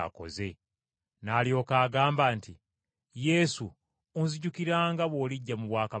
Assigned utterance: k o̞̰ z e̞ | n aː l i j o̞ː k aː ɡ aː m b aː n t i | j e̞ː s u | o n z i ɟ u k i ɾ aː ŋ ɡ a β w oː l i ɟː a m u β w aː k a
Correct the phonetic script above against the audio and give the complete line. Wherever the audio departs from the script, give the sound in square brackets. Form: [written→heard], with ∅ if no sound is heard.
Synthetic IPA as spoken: k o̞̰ z e̞ | n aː l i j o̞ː k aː ɡ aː m b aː n t i | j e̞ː s u | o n z i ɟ u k i ɾ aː ŋ ɡ a β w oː l i ɟː a m u β w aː k a